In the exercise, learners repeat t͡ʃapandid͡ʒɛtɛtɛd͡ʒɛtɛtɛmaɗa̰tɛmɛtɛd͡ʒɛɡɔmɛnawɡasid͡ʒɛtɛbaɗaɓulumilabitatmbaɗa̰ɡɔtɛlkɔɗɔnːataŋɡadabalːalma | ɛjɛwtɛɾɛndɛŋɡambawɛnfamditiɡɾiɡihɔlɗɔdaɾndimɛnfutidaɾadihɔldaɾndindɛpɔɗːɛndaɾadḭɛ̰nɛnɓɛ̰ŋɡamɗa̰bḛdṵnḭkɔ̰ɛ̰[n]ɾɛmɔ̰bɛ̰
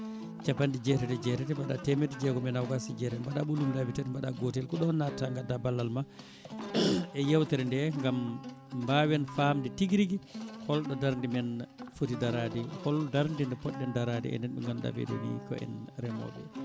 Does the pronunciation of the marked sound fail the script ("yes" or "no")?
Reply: no